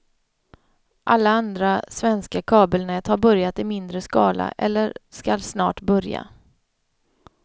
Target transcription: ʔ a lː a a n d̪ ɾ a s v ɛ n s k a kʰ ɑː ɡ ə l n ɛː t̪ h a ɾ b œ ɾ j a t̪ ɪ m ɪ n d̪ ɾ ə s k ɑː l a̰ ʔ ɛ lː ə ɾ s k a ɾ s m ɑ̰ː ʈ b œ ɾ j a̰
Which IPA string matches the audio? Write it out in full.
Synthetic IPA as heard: ʔ a lː a a n d̪ ɾ a s v ɛ n s k a kʰ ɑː b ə l n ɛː t̪ h a ɾ b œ ɾ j a t̪ ɪ m ɪ n d̪ ɾ ə s k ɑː l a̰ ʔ ɛ lː ə ɾ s k a l s n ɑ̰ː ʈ b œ ɾ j a̰